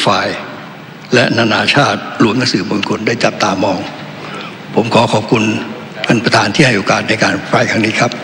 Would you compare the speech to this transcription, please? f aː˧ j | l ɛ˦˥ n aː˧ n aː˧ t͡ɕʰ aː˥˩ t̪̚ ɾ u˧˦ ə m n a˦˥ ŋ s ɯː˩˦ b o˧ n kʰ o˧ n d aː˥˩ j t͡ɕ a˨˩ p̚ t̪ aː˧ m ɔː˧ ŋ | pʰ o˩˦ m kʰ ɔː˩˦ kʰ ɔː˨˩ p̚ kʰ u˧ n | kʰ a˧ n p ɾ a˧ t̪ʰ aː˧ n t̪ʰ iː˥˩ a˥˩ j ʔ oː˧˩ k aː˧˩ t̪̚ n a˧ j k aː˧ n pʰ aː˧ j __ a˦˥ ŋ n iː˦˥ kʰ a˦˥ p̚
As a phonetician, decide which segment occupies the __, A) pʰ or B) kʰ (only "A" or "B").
B